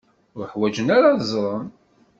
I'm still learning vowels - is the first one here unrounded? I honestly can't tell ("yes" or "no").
no